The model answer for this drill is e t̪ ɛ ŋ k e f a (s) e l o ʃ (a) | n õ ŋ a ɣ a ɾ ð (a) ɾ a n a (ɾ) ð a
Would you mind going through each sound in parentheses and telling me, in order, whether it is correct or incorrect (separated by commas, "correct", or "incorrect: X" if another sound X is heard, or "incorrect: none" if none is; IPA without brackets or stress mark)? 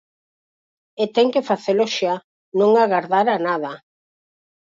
incorrect: θ, correct, correct, incorrect: none